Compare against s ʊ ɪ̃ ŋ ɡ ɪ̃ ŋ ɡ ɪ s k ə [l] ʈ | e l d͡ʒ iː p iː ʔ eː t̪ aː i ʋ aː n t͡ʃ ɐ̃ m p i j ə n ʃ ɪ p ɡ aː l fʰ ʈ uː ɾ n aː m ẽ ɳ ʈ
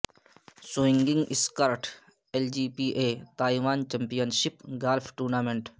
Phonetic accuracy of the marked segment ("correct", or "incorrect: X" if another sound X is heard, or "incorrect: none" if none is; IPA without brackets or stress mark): incorrect: ɾ